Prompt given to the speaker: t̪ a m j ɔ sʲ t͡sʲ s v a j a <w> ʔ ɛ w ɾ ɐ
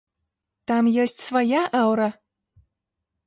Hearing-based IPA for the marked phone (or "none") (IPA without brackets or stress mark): none